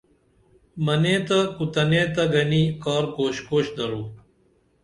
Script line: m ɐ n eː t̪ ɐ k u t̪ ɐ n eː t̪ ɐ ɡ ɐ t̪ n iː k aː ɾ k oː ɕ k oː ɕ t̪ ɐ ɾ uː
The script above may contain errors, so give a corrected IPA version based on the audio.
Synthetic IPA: m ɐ n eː t̪ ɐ k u t̪ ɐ n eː t̪ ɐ ɡ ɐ n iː k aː ɾ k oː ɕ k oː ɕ d̪ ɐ ɾ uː